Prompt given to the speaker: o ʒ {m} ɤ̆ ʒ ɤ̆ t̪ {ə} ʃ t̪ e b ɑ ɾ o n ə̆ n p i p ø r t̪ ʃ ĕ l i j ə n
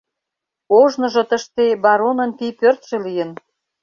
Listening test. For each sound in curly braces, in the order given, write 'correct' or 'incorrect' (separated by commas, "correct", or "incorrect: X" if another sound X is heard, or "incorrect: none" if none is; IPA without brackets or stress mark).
incorrect: n, correct